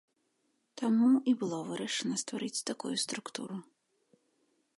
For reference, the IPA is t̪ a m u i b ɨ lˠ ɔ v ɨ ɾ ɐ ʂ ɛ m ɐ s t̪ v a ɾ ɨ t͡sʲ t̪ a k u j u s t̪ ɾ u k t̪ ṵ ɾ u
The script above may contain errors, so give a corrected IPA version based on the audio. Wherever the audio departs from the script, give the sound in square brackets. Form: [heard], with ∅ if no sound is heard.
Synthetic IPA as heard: t̪ a m u i b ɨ lˠ ɔ v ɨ ɾ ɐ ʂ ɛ [n] ɐ s t̪ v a ɾ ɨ t͡sʲ t̪ a k u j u s t̪ ɾ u k t̪ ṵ ɾ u

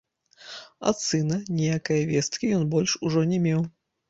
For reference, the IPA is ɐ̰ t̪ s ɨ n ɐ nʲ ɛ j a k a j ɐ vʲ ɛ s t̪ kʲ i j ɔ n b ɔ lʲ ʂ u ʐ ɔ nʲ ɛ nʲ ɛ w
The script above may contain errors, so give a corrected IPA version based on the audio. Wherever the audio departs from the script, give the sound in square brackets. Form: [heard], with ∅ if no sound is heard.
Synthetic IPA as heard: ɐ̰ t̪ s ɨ n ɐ nʲ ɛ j a k [ɐ] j ɐ vʲ ɛ s t̪ kʲ i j ɔ n b ɔ lʲ ʂ u ʐ ɔ nʲ ɛ [mʲ] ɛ w

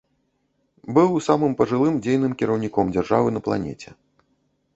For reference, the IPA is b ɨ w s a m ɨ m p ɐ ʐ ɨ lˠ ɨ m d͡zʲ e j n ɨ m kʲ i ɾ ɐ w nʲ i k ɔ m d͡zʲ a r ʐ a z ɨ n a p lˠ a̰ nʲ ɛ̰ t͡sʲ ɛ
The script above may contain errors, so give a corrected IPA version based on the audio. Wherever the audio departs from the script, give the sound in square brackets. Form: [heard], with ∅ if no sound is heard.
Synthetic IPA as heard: b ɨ w s a m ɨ m p ɐ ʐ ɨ lˠ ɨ m d͡zʲ e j n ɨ m kʲ i ɾ ɐ w nʲ i k ɔ m d͡zʲ a r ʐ a [v] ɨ n [ɐ] p lˠ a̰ nʲ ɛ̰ t͡sʲ ɛ

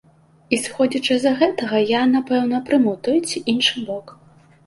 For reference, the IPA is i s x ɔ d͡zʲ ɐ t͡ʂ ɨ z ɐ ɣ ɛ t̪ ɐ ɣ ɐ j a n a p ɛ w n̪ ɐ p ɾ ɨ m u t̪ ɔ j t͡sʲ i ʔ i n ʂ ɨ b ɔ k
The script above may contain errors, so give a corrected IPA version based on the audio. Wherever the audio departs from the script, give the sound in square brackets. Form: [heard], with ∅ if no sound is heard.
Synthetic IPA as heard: i s x ɔ d͡zʲ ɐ t͡ʂ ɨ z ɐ ɣ ɛ t̪ ɐ ɣ ɐ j a n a p ɛ w n̪ ɐ p ɾ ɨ m u t̪ ɔ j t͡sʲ i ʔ i n ʂ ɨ b ɔ k

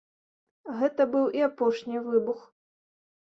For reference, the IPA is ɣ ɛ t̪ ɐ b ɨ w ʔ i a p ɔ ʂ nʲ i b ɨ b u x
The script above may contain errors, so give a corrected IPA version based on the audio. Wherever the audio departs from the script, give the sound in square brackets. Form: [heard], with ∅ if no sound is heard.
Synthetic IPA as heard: ɣ ɛ t̪ ɐ b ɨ w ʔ i a p ɔ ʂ nʲ i [v] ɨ b u x

